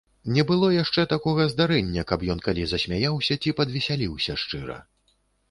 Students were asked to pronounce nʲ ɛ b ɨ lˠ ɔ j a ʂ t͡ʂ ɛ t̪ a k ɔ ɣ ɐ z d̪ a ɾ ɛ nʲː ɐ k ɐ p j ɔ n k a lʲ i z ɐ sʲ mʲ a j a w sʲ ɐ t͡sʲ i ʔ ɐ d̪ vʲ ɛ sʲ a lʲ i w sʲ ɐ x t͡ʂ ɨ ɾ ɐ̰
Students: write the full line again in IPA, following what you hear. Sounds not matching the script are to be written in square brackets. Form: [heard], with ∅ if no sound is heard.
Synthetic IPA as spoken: nʲ ɛ b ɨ lˠ ɔ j a ʂ t͡ʂ ɛ t̪ a k ɔ ɣ ɐ z d̪ a ɾ ɛ nʲː ɐ k ɐ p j ɔ n k a lʲ i z ɐ sʲ mʲ a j a w sʲ ɐ t͡sʲ i [p] ɐ d̪ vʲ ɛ sʲ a lʲ i w sʲ ɐ [ʂ] t͡ʂ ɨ ɾ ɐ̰